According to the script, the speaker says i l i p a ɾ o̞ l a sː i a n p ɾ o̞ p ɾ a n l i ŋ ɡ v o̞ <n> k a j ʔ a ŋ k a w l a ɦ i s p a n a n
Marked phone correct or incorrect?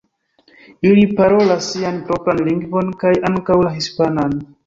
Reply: correct